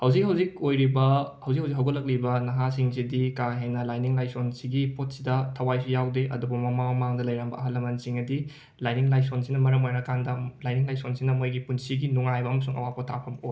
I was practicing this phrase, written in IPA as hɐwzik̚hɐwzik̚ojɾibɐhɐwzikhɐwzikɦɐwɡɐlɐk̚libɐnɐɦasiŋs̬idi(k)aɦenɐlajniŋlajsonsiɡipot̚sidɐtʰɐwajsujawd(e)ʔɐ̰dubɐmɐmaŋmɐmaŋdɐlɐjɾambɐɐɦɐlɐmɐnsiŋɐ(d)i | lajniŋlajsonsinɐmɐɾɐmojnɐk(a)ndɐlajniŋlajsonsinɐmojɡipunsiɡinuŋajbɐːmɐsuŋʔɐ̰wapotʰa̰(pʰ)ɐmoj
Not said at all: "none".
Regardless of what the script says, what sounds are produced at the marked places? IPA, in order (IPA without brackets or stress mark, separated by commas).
k, e, d, a, pʰ